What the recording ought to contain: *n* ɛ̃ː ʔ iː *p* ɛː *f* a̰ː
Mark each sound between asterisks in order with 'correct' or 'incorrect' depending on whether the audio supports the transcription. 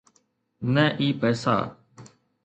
correct, correct, incorrect

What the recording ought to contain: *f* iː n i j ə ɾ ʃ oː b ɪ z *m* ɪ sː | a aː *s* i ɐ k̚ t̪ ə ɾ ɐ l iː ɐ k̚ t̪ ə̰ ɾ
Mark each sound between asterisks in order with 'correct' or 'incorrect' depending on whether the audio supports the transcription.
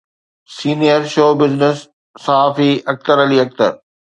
incorrect, incorrect, incorrect

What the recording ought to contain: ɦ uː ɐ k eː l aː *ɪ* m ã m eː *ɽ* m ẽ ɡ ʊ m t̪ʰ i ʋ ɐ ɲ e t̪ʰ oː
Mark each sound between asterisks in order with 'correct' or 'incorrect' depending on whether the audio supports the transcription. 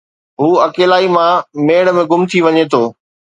incorrect, correct

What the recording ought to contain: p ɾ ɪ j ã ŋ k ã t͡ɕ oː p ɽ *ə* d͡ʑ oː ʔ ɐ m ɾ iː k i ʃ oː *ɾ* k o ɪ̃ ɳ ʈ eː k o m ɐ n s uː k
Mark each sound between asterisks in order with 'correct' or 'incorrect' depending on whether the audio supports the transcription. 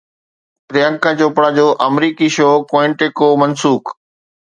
incorrect, incorrect

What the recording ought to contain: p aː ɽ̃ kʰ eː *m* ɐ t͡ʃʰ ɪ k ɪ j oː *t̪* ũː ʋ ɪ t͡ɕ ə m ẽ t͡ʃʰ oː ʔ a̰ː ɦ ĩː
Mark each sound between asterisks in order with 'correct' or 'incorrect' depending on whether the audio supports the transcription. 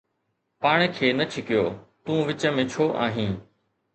incorrect, correct

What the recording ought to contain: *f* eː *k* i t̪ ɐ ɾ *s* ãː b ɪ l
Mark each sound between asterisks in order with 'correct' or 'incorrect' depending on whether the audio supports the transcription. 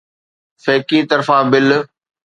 correct, correct, incorrect

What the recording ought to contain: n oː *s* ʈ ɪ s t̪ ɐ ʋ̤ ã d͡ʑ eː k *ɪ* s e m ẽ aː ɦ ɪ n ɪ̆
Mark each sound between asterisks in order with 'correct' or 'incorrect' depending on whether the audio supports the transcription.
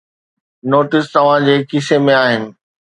incorrect, correct

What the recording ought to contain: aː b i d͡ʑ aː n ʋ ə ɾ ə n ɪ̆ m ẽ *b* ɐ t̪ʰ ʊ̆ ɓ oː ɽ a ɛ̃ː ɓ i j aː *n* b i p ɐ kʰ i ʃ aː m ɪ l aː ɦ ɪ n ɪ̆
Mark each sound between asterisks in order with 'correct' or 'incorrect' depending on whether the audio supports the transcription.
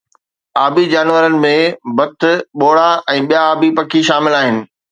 correct, incorrect

